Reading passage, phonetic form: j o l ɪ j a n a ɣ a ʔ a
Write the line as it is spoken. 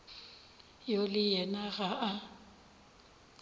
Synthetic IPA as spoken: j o l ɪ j ɛ n a ɣ a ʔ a

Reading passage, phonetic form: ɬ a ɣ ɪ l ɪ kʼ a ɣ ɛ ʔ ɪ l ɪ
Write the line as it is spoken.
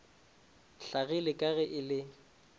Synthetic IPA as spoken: ɬ a ɣ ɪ l ɪ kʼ a ɣ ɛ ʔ ɪ l ɪ

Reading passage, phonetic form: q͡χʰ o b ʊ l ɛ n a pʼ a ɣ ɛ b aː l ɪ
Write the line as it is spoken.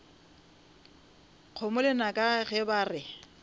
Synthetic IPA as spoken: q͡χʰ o m ʊ l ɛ n a kʼ a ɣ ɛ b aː r ɪ

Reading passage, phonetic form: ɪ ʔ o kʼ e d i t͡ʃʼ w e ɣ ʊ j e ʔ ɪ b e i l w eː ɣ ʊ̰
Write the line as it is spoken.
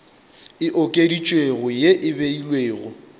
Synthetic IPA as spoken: ɪ ʔ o kʼ e d i t͡ʃʼ w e ɣ ʊ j e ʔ ɪ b e i l w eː ɣ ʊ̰

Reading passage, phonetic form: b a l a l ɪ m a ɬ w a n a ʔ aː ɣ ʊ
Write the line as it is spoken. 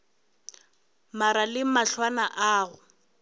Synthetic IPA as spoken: m a ɾ a l ɪ m a ɬ w a n a ʔ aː ɣ ʊ

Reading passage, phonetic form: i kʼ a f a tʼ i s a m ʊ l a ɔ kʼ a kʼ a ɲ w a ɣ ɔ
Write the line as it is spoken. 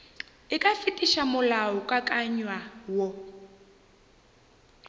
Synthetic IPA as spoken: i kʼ a f i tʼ i ʃ a m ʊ l a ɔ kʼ a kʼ a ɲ w a w ɔ

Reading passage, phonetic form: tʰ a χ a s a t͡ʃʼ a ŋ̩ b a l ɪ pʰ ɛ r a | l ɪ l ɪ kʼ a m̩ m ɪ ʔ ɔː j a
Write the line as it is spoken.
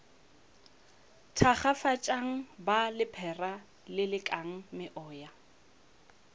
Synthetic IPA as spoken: tʰ a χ a f a t͡ʃʼ a ŋ̩ b a l ɪ pʰ ɛ r a | l ɪ l ɪ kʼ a ŋ̩ m ɪ ʔ ɔː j a

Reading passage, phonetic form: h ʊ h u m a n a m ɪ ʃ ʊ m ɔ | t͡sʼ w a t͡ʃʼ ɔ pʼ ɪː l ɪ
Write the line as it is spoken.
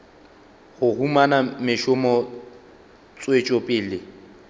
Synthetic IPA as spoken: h ʊ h u m a n a m ɪ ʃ ʊ m ɔ | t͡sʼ w e t͡ʃʼ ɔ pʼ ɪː l ɪ

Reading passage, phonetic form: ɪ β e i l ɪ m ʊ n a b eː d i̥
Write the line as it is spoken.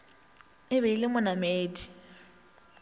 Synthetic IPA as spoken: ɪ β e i l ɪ m ʊ n a m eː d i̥

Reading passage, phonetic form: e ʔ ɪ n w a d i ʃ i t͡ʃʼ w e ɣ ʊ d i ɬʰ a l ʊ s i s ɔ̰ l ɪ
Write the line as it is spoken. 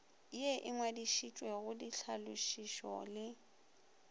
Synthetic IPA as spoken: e ʔ ɪ ŋ w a d i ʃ i t͡ʃʼ w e ɣ ʊ d i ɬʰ a l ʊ ʃ i ʃ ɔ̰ l ɪ

